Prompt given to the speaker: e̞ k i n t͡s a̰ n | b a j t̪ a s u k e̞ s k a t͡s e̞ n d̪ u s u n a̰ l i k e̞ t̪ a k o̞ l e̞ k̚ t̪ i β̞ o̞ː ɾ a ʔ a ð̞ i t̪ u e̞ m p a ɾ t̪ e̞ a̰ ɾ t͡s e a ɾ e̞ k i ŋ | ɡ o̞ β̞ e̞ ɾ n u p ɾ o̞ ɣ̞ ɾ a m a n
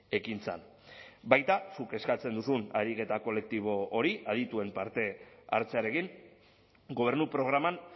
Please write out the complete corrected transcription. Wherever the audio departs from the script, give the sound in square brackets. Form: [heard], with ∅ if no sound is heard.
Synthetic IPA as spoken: e̞ k i n t͡s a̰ n | b a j t̪ a s u k e̞ s k a t͡s e̞ n d̪ u s u n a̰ [ɾ] i k e̞ t̪ a k o̞ l e̞ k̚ t̪ i β̞ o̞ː ɾ [i] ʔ a ð̞ i t̪ u e̞ m p a ɾ t̪ e̞ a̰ ɾ t͡s e a ɾ e̞ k i ŋ | ɡ o̞ β̞ e̞ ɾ n u p ɾ o̞ ɣ̞ ɾ a m a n